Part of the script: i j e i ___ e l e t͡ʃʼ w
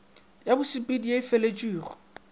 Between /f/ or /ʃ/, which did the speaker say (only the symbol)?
f